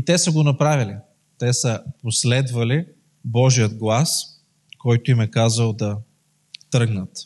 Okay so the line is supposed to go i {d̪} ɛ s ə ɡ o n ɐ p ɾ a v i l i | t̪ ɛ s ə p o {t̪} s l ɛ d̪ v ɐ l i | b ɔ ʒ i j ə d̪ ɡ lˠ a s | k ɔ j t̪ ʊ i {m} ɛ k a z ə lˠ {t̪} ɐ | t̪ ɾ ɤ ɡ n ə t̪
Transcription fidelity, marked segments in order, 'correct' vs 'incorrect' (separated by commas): incorrect, incorrect, correct, incorrect